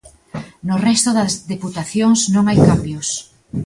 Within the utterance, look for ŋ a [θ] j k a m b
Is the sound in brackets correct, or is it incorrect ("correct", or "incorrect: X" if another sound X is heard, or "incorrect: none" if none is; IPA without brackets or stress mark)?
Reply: incorrect: none